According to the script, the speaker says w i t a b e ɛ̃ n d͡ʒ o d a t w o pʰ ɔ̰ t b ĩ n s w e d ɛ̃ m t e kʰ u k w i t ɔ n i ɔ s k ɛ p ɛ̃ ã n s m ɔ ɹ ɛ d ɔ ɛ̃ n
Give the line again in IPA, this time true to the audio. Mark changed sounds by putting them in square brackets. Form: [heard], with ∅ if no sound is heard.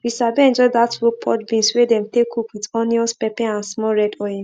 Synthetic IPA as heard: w i [s] a b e ɛ̃ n d͡ʒ [ɔ] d a t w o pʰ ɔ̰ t b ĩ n s w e d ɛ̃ m t e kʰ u k w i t ɔ n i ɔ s [p] ɛ p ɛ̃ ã n s m ɔ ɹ ɛ d ɔ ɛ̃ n